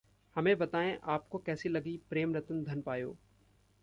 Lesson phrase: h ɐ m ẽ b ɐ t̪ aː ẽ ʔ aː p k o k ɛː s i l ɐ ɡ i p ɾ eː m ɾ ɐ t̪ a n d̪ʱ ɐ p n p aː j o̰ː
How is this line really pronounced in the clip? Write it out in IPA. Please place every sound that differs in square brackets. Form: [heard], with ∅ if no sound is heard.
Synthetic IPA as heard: h ɐ m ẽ b ɐ t̪ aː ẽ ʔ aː p k o k ɛː s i l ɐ ɡ i p ɾ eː m ɾ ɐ t̪ [ə] n d̪ʱ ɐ [∅] n p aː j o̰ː